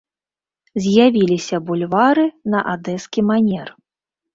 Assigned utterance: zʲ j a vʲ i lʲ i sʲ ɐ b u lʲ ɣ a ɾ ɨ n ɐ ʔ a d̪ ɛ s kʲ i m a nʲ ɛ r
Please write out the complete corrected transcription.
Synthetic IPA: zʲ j a vʲ i lʲ i sʲ ɐ b u lʲ v a ɾ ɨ n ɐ ʔ a d̪ ɛ s kʲ i m a nʲ ɛ r